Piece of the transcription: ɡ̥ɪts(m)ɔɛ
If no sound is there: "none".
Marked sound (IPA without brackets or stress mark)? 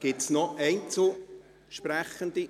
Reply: n